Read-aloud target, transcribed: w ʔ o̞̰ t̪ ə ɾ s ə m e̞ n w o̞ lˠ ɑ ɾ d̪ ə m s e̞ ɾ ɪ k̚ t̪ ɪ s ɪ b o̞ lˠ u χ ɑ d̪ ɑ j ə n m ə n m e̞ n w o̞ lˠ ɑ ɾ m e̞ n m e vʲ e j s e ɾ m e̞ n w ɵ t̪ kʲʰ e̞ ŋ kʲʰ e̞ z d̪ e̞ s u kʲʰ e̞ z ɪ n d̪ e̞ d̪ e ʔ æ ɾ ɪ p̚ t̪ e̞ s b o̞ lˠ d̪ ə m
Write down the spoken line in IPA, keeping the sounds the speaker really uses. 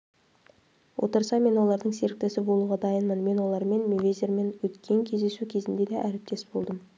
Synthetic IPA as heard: w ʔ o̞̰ t̪ ə ɾ s ɑ m e̞ n w o̞ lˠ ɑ ɾ d̪ ə ɴ s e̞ ɾ ɪ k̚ t̪ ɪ s ɪ b o̞ lˠ u ʁ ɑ d̪ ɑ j ə n m ə n m e̞ n w o̞ lˠ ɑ ɾ m e̞ n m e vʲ e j z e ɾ m e̞ n w ɵ t̪ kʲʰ e̞ ŋ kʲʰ e̞ z d̪ e̞ s u kʲʰ e̞ z ɪ n d̪ e̞ d̪ e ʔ æ ɾ ɪ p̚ t̪ e̞ s b o̞ lˠ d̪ ə m